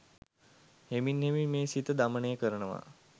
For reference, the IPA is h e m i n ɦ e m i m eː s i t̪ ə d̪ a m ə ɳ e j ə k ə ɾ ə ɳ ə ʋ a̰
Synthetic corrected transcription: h e m i n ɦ e m i m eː s i t̪ ə d̪ a m ə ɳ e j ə k ə ɾ ə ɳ ə ʋ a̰